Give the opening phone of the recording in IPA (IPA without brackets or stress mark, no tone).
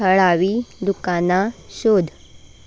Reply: ə